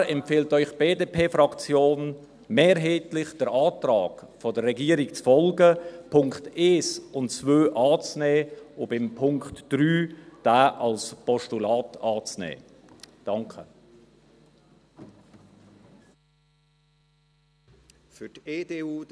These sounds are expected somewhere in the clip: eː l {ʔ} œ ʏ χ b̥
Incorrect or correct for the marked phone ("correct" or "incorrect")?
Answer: incorrect